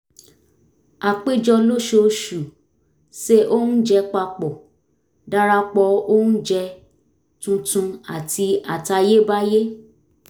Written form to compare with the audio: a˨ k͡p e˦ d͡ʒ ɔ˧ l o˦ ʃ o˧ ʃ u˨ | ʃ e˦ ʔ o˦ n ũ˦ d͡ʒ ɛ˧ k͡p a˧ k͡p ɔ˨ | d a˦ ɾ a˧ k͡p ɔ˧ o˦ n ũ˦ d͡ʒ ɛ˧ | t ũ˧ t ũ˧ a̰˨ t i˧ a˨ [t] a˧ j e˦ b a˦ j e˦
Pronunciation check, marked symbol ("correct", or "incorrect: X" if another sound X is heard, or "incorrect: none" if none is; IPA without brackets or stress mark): correct